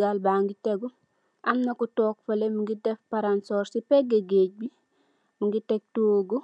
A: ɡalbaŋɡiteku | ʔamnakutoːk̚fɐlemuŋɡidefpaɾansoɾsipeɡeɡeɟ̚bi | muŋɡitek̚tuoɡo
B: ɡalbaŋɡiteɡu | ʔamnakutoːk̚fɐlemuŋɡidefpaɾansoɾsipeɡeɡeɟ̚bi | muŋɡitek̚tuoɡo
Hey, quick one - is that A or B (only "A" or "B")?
B